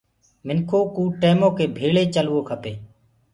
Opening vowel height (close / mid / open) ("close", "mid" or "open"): close